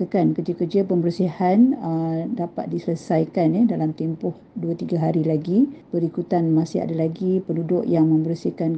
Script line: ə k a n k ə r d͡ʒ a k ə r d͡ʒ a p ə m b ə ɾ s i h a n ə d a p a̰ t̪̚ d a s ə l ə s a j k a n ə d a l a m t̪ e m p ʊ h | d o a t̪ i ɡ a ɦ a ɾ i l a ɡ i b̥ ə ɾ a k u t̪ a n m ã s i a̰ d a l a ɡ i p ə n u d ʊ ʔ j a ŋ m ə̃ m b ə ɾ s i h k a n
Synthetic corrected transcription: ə k a n k ə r d͡ʒ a k ə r d͡ʒ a p ə m b ə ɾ s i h a n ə d a p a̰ t̪̚ d i s ə l ə s a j k a n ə d a l a m t̪ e m p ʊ h | d u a t̪ i ɡ a ɦ a ɾ i l a ɡ i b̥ ə ɾ i k u t̪ a n m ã s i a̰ d a l a ɡ i p ə n u d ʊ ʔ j a ŋ m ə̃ m b ə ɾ s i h k a n